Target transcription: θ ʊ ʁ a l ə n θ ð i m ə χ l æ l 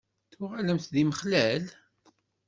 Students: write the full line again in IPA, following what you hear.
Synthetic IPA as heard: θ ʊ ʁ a l ə m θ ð i m ə χ l æ l